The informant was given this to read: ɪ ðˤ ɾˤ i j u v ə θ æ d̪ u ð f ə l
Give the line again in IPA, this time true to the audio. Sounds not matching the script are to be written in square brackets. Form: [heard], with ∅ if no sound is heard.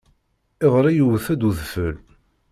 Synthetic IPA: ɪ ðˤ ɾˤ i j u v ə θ æ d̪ u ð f ə l